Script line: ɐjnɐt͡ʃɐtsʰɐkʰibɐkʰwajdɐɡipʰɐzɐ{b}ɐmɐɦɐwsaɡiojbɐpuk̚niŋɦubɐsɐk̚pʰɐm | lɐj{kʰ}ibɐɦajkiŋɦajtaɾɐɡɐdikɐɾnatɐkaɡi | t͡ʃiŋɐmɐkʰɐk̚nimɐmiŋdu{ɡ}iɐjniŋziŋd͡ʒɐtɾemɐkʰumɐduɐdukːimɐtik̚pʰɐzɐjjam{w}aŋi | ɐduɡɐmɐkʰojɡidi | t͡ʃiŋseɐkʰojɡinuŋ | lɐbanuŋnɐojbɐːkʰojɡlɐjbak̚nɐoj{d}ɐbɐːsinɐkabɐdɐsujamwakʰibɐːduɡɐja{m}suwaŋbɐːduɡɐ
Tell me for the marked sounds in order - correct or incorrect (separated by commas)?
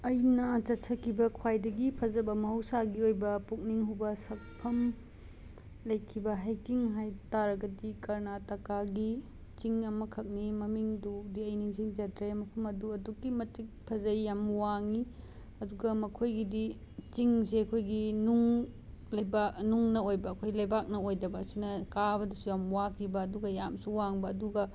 correct, correct, incorrect, correct, correct, correct